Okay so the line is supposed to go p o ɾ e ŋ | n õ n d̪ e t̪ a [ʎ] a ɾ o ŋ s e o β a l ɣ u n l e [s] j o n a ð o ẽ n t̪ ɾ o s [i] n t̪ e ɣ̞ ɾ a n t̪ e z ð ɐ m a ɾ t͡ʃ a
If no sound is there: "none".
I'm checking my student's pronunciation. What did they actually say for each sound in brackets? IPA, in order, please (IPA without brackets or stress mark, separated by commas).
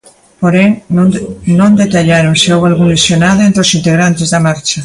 ʎ, s, i